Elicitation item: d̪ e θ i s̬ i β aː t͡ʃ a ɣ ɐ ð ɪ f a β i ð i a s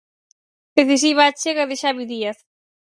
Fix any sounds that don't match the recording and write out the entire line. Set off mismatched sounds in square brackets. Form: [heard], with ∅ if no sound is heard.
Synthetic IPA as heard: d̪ e θ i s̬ i β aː t͡ʃ [e] ɣ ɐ ð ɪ [ʃ] a β i ð i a [θ]